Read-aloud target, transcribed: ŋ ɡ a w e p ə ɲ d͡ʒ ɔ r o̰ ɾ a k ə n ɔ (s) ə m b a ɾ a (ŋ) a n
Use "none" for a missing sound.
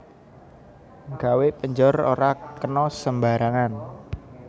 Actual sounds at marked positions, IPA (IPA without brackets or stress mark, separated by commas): s, ŋ